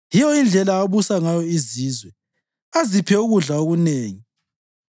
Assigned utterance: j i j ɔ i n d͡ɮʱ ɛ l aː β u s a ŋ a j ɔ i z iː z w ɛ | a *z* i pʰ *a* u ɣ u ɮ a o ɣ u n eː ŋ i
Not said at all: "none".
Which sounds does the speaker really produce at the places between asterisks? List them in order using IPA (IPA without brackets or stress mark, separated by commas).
z, ɛ